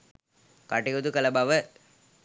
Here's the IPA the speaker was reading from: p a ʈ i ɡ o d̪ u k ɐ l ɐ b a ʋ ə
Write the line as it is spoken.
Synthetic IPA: k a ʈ i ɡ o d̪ u k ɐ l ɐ b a ʋ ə